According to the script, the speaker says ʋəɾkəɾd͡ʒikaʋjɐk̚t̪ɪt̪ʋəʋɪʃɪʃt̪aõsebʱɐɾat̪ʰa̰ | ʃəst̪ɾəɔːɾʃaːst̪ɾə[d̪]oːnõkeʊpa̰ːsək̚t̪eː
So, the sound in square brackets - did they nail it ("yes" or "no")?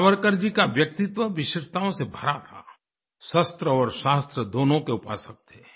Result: yes